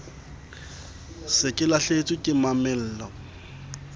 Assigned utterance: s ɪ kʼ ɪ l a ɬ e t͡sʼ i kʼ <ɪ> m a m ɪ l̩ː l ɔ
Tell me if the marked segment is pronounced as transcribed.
yes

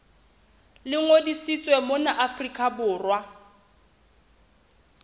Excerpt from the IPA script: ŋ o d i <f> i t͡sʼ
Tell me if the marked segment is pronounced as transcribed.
no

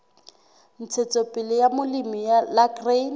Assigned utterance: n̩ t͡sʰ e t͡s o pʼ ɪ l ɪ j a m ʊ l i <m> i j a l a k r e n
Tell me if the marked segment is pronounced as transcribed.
yes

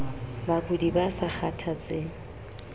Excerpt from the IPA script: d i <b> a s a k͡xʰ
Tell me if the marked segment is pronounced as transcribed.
yes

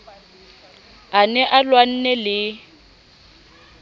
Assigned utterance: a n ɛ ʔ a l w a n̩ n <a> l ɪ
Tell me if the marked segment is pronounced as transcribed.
no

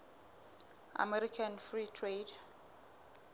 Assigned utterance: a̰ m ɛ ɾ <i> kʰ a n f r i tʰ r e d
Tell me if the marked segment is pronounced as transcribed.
yes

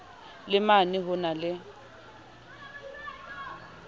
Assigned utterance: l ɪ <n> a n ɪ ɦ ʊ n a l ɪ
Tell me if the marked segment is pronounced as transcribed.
no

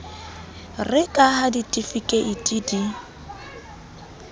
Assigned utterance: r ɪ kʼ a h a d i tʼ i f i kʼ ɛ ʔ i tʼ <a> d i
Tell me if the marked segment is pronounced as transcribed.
no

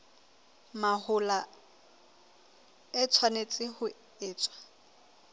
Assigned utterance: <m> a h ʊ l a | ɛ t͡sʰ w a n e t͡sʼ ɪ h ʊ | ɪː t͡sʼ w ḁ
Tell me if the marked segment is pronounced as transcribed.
yes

